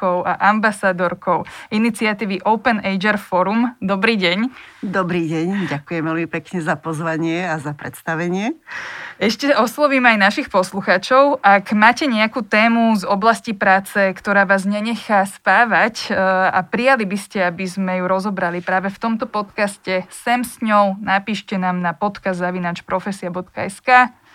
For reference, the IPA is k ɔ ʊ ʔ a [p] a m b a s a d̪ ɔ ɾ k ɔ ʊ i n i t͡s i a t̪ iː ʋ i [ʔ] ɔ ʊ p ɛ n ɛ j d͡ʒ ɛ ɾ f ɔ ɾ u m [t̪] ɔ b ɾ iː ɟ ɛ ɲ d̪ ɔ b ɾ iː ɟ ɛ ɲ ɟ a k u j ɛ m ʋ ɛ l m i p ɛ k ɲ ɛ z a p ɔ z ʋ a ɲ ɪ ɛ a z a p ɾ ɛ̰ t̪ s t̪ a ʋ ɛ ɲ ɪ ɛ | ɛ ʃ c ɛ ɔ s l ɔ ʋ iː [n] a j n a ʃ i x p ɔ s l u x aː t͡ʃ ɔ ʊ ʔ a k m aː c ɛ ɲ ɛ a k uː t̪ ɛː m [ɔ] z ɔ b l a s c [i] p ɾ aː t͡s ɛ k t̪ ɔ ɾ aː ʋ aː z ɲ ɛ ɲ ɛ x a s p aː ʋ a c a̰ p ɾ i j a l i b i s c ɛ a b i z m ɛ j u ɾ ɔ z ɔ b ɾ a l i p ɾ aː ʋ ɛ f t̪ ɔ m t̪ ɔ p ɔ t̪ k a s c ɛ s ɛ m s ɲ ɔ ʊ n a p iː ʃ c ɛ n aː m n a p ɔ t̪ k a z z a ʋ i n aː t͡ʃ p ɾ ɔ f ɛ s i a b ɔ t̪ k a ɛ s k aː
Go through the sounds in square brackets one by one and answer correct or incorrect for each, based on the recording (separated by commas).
incorrect, correct, incorrect, incorrect, incorrect, correct